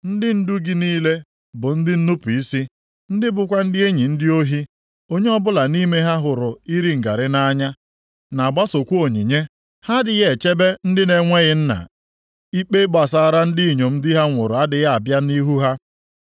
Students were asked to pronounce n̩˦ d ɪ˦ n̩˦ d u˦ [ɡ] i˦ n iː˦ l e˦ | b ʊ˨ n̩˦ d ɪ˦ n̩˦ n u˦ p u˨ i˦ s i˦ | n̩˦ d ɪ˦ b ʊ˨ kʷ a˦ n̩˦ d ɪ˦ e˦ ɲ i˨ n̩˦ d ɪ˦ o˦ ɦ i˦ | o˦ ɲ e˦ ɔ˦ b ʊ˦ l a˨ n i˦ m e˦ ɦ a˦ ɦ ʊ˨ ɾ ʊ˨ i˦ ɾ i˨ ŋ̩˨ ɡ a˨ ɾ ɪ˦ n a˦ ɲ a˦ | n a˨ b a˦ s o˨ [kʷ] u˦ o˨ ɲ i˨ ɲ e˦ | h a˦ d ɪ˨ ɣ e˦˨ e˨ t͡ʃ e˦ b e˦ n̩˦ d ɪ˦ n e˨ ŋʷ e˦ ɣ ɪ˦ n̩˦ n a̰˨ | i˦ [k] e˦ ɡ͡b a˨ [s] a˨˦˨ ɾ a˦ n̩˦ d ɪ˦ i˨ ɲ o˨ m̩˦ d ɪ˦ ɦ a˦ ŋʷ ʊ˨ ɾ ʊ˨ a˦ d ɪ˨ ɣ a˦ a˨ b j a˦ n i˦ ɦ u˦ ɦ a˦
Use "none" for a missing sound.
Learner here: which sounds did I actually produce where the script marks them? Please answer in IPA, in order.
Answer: ɡ, kʷ, k͡p, s

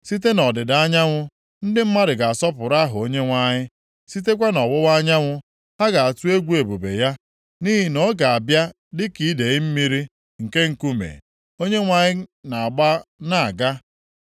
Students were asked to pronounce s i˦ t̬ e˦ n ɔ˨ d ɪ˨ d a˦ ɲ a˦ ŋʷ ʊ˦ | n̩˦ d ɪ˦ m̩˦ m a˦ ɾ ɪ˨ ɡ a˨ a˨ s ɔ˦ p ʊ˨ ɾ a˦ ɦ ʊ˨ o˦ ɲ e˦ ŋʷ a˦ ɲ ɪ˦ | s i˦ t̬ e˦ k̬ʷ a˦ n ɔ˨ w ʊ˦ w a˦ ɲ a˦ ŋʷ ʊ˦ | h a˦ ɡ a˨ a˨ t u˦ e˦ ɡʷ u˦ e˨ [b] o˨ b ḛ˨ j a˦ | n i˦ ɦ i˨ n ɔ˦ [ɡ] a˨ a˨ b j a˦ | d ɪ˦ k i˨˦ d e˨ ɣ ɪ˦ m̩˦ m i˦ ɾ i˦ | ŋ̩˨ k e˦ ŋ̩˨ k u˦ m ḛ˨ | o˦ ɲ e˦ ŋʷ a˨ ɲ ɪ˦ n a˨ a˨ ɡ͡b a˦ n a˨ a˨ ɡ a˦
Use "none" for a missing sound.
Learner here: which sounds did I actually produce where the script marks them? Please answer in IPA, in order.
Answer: b, ɡ

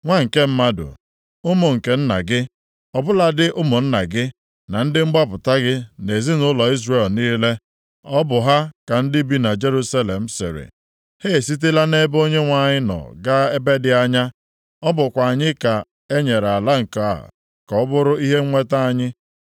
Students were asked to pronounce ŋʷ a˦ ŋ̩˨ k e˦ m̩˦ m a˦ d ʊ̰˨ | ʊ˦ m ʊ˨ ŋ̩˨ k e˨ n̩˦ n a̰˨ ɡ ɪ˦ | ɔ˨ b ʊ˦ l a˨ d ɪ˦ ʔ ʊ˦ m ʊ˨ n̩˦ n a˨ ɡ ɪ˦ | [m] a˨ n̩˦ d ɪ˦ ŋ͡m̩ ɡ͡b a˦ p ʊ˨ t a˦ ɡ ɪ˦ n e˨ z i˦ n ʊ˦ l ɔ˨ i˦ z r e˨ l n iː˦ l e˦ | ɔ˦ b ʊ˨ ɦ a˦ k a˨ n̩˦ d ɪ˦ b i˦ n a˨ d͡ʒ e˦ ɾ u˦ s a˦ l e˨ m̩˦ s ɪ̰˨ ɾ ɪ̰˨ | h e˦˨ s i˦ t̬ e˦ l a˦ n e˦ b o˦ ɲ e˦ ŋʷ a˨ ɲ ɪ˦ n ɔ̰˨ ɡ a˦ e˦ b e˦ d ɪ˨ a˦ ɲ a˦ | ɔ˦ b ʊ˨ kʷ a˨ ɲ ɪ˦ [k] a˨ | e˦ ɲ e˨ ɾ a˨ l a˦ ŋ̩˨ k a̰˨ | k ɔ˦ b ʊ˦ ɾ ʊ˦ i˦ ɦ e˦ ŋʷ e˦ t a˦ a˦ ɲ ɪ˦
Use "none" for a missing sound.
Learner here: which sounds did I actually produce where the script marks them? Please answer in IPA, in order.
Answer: n, k

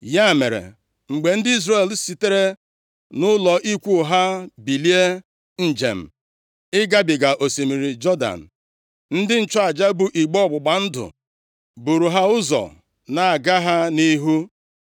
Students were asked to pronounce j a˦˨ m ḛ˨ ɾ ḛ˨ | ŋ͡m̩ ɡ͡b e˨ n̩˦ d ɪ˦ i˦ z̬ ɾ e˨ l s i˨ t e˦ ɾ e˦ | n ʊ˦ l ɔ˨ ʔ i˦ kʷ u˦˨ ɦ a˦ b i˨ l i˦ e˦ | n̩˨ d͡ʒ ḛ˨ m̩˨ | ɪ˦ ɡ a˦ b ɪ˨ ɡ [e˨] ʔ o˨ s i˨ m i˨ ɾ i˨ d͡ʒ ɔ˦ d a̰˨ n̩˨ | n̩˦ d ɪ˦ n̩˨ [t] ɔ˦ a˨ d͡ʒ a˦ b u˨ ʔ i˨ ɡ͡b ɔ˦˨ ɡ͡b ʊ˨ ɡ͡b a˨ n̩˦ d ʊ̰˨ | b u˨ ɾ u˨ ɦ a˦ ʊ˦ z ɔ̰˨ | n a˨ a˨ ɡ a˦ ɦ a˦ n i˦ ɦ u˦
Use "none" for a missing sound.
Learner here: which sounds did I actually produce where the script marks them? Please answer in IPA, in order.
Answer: a˨, t͡ʃ

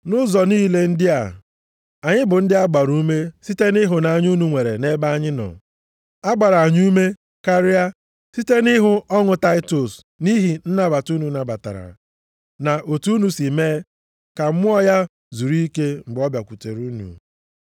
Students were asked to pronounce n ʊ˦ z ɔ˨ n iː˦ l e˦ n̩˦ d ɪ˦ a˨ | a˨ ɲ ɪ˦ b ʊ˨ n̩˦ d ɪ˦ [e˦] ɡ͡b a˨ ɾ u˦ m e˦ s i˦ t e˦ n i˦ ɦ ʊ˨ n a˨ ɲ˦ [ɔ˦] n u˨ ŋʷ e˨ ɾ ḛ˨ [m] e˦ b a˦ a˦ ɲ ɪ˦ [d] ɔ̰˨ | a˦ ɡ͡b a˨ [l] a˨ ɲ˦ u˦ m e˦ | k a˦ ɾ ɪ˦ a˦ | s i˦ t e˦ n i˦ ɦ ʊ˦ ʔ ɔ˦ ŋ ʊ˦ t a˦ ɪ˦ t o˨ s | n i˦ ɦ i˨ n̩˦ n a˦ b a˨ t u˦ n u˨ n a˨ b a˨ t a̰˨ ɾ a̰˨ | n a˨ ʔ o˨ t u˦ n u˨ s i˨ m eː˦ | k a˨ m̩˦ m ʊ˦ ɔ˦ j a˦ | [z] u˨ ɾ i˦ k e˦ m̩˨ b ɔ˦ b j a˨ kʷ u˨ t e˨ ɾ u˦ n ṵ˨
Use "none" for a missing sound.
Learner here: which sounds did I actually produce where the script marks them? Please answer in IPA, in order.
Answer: a˦, u˦, n, n, ɾ, z

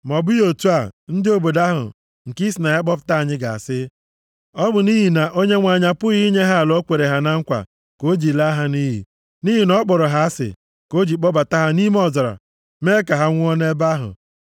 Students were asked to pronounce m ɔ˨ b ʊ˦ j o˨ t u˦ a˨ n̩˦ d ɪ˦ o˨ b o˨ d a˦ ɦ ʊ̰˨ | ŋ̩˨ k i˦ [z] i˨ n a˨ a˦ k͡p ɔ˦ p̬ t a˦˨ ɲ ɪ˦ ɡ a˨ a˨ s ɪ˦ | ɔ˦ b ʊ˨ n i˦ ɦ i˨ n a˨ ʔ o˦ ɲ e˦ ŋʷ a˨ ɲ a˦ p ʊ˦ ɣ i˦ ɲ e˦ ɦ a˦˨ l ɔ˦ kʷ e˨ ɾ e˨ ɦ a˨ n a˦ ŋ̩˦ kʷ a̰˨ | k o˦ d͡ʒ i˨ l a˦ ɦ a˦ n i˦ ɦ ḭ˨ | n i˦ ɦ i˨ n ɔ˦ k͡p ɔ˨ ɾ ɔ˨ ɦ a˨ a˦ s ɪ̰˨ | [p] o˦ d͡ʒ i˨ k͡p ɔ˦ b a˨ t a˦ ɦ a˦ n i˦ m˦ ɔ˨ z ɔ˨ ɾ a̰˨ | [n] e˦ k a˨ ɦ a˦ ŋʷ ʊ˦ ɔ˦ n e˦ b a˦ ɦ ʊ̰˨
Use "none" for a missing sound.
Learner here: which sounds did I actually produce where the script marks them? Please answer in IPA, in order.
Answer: s, k, m

